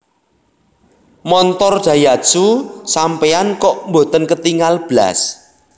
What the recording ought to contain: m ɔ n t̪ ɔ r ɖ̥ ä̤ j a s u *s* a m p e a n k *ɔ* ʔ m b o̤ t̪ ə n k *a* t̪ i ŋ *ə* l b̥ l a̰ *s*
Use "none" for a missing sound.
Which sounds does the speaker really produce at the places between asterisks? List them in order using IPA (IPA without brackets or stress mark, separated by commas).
s, ɔ, ə, a, s